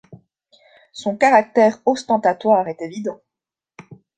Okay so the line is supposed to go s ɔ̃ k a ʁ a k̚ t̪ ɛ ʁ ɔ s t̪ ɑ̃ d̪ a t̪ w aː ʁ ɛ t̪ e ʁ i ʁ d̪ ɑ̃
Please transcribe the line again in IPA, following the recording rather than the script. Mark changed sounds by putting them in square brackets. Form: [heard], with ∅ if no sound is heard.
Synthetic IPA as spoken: s ɔ̃ k a ʁ a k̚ t̪ ɛ ʁ ɔ s t̪ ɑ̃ [t̪] a t̪ w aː ʁ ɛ t̪ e [v] i [∅] d̪ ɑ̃